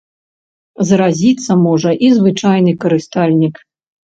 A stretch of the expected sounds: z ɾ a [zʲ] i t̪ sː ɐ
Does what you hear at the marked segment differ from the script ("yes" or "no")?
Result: no